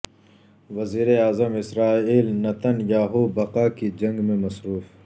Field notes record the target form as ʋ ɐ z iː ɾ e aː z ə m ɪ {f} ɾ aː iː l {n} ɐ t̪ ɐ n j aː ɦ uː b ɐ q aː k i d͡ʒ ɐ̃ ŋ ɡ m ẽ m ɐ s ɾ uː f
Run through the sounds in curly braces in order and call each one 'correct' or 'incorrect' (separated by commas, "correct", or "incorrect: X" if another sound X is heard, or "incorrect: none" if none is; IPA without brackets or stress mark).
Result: incorrect: s, correct